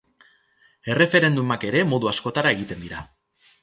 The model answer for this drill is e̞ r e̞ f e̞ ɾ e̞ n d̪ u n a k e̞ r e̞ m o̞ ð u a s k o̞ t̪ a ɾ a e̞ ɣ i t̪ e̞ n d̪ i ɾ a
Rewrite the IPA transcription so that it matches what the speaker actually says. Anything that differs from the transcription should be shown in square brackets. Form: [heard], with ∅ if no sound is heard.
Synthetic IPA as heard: e̞ r e̞ f e̞ ɾ e̞ n d̪ u [m] a k e̞ [ɾ] e̞ m o̞ ð u a s k o̞ t̪ a ɾ a e̞ ɣ i t̪ e̞ n d̪ i ɾ a

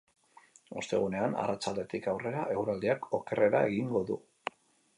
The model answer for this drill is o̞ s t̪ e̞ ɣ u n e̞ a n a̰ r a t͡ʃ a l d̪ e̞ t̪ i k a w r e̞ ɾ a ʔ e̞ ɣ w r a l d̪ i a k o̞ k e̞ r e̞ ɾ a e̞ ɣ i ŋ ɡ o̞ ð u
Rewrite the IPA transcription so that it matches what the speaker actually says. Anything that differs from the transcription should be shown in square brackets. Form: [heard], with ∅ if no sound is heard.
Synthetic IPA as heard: o̞ s t̪ e̞ ɣ u n e̞ a n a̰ r a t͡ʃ a l d̪ e̞ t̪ i k a w r e̞ ɾ a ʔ e̞ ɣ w [ɾ] a l d̪ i a k o̞ k e̞ r e̞ ɾ a e̞ ɣ i ŋ ɡ o̞ ð u

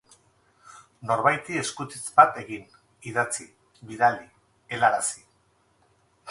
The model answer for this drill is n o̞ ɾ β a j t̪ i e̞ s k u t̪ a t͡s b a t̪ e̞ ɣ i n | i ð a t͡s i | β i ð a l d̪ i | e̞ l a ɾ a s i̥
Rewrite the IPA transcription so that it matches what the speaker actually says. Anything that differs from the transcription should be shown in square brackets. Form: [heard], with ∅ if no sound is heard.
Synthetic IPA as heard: n o̞ ɾ β a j t̪ i e̞ s k u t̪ [i] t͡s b a t̪ e̞ ɣ i n | i ð a t͡s i | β i ð a l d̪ i | e̞ l a ɾ a s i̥

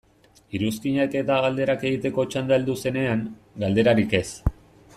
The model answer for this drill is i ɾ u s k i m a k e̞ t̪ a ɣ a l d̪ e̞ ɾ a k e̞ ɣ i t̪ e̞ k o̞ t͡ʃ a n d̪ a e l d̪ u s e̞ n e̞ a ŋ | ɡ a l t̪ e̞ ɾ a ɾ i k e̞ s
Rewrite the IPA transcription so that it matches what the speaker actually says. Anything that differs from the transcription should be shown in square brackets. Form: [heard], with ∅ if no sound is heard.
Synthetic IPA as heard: i ɾ u s k i [ɲ] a k e̞ t̪ a ɣ a l d̪ e̞ ɾ a k e̞ ɣ i t̪ e̞ k o̞ t͡ʃ a n d̪ a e l d̪ u s e̞ n e̞ a ŋ | ɡ a l [d̪] e̞ ɾ a ɾ i k e̞ s

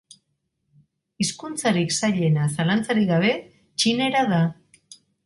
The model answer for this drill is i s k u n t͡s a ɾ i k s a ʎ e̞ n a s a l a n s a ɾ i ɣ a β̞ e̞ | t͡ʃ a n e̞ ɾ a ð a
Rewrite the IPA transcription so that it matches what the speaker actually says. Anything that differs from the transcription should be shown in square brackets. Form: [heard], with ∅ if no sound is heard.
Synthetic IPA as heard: i s k u n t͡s a ɾ i k s a ʎ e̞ n a s a l a n [t͡s] a ɾ i ɣ a β̞ e̞ | t͡ʃ [i] n e̞ ɾ a ð a

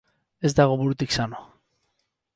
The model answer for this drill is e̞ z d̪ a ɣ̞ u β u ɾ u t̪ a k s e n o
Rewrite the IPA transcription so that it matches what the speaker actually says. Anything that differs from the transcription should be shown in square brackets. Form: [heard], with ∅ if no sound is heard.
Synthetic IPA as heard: e̞ z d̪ a ɣ̞ [o] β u ɾ u t̪ [i] k s [a] n o

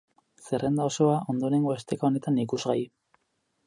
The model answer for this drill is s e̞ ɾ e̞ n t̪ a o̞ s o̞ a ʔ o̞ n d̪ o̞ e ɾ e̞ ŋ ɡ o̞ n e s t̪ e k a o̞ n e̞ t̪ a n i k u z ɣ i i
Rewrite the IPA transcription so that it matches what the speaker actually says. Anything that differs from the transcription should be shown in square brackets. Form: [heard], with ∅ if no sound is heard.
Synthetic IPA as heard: s e̞ [r] e̞ n [d̪] a o̞ s o̞ a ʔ o̞ n d̪ o̞ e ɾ e̞ ŋ ɡ o̞ [∅] e s t̪ e k a o̞ n e̞ t̪ a n i k u z ɣ [a] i

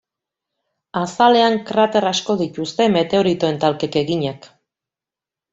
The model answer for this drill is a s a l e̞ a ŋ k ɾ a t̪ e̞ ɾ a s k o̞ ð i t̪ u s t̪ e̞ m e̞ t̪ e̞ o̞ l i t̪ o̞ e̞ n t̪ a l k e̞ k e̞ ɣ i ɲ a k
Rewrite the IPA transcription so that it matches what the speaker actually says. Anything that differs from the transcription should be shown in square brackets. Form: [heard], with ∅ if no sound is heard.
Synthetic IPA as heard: a s a l e̞ a ŋ k ɾ a t̪ e̞ ɾ a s k o̞ ð i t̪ u s t̪ e̞ m e̞ t̪ e̞ o̞ [ɾ] i t̪ o̞ e̞ n t̪ a l k e̞ k e̞ ɣ i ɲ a k

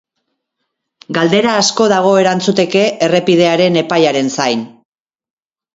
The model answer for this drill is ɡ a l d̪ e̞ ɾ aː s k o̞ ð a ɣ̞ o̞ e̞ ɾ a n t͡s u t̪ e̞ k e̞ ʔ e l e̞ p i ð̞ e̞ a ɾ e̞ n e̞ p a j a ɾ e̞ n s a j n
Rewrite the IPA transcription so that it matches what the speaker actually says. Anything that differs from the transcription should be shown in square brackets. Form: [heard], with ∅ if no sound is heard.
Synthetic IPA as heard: ɡ a l d̪ e̞ ɾ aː s k o̞ ð a ɣ̞ o̞ e̞ ɾ a n t͡s u t̪ e̞ k e̞ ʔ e [r] e̞ p i ð̞ e̞ a ɾ e̞ n e̞ p a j a ɾ e̞ n s a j n

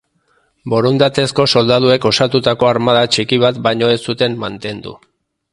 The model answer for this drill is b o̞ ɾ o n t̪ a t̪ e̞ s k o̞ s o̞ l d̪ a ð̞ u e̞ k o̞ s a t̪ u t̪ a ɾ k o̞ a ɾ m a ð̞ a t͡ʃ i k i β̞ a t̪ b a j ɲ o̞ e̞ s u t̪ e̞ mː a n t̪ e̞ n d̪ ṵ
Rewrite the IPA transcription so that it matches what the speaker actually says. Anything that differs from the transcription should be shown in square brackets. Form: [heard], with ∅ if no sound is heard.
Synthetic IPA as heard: b o̞ ɾ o n [d̪] a t̪ e̞ s k o̞ s o̞ l d̪ a ð̞ u e̞ k o̞ s a t̪ u t̪ a [∅] k o̞ a ɾ m a ð̞ a t͡ʃ i k i β̞ a t̪ b a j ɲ o̞ e̞ s u t̪ e̞ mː a n t̪ e̞ n d̪ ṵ

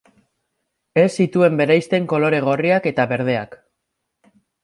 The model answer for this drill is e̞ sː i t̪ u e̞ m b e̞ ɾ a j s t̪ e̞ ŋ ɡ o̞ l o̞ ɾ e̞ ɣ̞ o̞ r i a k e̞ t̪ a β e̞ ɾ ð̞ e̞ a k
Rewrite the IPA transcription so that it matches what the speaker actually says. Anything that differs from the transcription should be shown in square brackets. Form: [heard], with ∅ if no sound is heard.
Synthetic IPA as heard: e̞ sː i t̪ u e̞ m b e̞ ɾ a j s t̪ e̞ ŋ [k] o̞ l o̞ ɾ e̞ ɣ̞ o̞ r i a k e̞ t̪ a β e̞ ɾ ð̞ e̞ a k

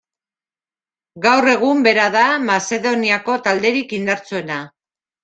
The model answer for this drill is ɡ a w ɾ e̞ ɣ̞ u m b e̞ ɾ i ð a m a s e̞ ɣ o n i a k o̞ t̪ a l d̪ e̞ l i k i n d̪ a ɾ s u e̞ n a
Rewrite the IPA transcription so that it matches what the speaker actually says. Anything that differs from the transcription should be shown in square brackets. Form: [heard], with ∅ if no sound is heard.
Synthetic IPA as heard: ɡ a w [r] e̞ ɣ̞ u m b e̞ ɾ [a] ð a m a s e̞ [ð] o n i a k o̞ t̪ a l d̪ e̞ [ɾ] i k i n d̪ a ɾ [t͡s] u e̞ n a

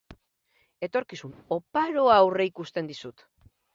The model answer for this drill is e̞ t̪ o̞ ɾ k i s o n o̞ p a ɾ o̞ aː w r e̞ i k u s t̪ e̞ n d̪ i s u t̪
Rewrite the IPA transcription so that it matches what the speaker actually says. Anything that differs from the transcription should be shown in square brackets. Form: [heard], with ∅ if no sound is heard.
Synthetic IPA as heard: e̞ t̪ o̞ ɾ k i s [u] n o̞ p a ɾ o̞ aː w r e̞ i k u s t̪ e̞ n d̪ i s u t̪

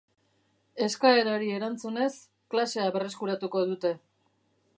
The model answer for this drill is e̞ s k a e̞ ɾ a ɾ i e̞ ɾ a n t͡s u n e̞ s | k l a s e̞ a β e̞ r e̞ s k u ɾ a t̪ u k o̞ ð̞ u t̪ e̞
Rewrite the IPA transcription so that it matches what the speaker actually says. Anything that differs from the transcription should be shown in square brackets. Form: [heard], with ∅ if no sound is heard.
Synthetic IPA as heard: e̞ s k a e̞ ɾ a ɾ i e̞ ɾ a n t͡s u n e̞ s | k l a s e̞ a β e̞ r e̞ s k u ɾ a t̪ u k o̞ ð̞ u t̪ e̞

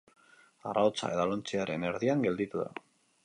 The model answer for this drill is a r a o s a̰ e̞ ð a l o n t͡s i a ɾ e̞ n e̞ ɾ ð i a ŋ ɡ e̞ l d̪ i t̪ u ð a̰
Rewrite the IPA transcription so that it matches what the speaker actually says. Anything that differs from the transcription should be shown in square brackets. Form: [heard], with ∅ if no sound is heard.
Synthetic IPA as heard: a r a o [t͡s] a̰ e̞ ð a l o n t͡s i a ɾ e̞ n e̞ ɾ ð i a ŋ ɡ e̞ l d̪ i t̪ u ð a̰

